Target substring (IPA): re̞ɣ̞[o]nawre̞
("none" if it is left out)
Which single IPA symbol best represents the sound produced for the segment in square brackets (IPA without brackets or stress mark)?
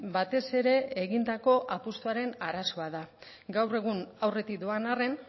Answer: u